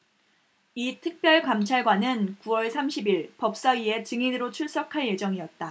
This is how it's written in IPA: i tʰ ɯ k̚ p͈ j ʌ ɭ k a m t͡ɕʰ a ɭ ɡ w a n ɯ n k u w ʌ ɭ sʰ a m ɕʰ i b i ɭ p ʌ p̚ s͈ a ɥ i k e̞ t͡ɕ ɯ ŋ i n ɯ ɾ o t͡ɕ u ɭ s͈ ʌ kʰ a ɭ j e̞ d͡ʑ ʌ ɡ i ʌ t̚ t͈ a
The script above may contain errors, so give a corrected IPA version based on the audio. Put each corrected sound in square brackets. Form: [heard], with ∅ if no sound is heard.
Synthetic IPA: i tʰ ɯ k̚ p͈ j ʌ ɭ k a m t͡ɕʰ a ɭ ɡ w a n ɯ n k u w ʌ ɭ sʰ a m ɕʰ i b i ɭ p ʌ p̚ s͈ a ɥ i [∅] e̞ t͡ɕ ɯ ŋ i n ɯ ɾ o [t͡ɕʰ] u ɭ s͈ ʌ kʰ a ɭ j e̞ d͡ʑ ʌ [ŋ] i ʌ t̚ t͈ a